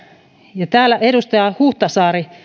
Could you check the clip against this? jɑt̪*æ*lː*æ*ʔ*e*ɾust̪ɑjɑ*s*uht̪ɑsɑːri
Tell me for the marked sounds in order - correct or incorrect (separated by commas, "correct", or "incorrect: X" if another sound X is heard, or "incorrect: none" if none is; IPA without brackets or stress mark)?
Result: incorrect: æː, correct, correct, incorrect: h